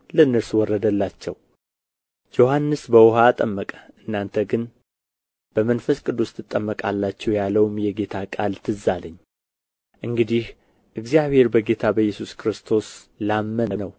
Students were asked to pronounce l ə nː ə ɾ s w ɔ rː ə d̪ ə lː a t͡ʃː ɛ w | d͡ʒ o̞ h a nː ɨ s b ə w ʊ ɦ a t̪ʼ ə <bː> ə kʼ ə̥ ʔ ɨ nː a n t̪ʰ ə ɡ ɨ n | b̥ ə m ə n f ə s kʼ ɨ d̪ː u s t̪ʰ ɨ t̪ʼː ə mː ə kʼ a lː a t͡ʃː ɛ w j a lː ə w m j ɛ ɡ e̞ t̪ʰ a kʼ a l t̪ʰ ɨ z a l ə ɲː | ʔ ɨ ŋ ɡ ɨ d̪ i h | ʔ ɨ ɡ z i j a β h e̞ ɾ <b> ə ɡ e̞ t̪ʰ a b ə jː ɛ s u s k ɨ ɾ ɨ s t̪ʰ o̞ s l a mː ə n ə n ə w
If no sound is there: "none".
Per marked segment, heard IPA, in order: mː, b

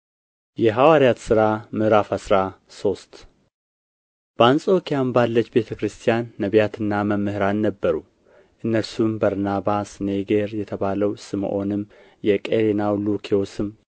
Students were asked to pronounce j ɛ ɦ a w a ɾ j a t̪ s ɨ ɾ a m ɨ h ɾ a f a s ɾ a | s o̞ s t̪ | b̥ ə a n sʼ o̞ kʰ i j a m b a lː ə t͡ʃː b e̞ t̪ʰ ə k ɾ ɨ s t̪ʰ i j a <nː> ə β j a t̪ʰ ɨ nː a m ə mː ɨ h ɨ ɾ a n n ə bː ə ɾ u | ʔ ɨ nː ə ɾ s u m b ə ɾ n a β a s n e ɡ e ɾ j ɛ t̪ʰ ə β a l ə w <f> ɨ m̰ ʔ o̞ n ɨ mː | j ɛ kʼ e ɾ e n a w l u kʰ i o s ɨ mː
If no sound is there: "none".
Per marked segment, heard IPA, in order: nː, s

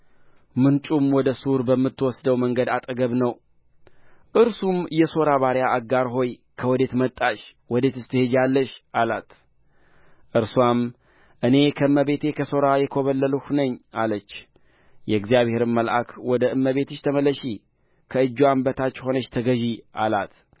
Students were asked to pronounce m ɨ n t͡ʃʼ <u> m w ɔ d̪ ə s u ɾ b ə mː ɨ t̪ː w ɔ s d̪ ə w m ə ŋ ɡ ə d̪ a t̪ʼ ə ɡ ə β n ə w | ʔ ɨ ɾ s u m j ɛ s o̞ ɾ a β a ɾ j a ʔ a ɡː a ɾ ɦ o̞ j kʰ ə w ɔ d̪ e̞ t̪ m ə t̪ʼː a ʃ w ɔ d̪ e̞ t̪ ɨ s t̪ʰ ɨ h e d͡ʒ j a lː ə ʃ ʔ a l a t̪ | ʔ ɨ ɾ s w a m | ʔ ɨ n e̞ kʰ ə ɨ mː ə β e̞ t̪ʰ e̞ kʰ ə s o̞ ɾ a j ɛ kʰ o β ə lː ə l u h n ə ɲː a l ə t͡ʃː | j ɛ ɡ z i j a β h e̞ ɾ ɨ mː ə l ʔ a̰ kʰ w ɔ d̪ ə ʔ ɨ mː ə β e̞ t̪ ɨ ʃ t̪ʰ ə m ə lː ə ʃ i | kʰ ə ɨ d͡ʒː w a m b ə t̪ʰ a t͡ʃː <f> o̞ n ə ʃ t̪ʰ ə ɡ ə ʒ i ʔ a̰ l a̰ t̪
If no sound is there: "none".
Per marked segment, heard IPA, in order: u, h

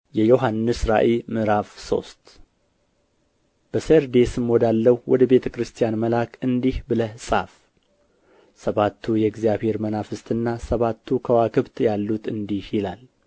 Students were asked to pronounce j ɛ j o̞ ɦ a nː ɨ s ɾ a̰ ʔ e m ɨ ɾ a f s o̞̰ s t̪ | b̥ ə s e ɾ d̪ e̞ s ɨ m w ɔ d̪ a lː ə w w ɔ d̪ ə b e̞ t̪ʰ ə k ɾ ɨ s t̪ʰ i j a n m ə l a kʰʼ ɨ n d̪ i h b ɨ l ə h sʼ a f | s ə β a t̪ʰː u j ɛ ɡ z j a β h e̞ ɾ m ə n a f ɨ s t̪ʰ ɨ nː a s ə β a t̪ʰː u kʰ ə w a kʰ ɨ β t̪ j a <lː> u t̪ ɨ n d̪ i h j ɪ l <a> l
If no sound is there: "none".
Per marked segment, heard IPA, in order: lː, a

